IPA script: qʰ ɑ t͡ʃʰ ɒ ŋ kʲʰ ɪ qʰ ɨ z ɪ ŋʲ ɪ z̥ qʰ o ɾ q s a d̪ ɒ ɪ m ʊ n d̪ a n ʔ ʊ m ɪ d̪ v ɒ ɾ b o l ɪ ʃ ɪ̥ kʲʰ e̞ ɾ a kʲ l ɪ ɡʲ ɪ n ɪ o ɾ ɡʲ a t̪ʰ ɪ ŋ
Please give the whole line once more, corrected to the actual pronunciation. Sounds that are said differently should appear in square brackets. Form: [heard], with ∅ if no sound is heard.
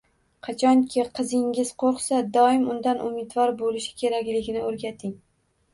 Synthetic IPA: qʰ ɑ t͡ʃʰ ɒ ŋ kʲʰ ɪ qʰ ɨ z ɪ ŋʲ ɪ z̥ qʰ o ɾ q s a d̪ ɒ ɪ m ʊ n d̪ a n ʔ ʊ m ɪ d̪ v ɒ ɾ b o l ɪ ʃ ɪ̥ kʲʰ e̞ ɾ a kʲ l ɪ ɡʲ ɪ n ɪ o ɾ ɡʲ a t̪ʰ ɪ ŋ